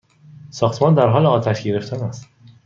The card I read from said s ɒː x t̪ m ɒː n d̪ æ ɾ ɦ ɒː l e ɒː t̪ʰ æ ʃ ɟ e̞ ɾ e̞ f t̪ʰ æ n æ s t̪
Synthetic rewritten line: s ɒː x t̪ m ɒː n d̪ æ ɾ ɦ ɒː l e ɒː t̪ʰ æ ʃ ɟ e̞ ɾ e̞ f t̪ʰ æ n æ s t̪